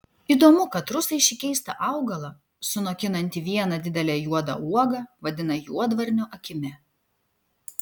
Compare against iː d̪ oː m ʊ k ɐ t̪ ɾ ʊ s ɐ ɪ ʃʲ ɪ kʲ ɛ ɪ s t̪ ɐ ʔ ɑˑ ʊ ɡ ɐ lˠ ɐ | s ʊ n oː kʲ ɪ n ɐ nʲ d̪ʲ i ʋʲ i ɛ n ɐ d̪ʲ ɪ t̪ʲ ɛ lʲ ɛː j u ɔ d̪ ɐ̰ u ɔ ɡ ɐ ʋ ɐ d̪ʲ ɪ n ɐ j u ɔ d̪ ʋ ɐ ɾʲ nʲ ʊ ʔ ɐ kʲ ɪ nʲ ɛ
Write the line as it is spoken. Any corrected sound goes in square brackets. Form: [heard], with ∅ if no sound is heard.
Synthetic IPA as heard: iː d̪ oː m ʊ k ɐ t̪ ɾ ʊ s ɐ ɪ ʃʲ ɪ kʲ ɛ ɪ s t̪ ɐ ʔ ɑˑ ʊ ɡ ɐ lˠ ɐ | s ʊ n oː kʲ ɪ n ɐ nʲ [t̪ʲ] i ʋʲ i ɛ n ɐ d̪ʲ ɪ [d̪ʲ] ɛ lʲ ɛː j u ɔ d̪ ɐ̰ u ɔ ɡ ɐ ʋ ɐ d̪ʲ ɪ n ɐ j u ɔ d̪ ʋ ɐ ɾʲ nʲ ʊ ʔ ɐ kʲ ɪ [mʲ] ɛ